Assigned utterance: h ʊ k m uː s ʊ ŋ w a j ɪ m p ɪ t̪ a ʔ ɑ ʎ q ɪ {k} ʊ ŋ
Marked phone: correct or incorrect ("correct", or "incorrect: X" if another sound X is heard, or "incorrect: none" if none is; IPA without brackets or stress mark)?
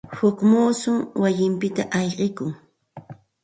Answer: correct